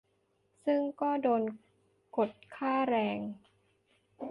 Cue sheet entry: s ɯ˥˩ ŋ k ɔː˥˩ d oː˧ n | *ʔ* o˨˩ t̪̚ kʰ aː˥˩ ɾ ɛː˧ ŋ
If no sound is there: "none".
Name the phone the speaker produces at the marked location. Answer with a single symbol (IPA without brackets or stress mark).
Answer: k